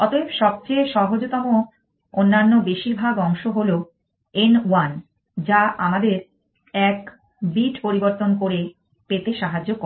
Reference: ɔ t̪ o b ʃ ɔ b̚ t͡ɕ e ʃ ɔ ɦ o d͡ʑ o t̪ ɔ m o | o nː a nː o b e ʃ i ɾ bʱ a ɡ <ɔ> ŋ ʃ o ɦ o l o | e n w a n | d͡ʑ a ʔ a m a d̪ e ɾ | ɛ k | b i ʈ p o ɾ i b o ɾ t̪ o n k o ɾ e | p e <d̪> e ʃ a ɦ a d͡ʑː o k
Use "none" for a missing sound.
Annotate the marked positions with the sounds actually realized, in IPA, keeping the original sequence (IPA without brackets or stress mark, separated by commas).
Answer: ɔ, t̪